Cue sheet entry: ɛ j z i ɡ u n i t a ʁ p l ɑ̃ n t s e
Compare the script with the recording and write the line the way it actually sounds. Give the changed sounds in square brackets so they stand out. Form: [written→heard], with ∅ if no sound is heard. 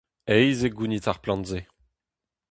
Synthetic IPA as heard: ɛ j z [i→e] ɡ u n i t a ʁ p l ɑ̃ n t [s→z] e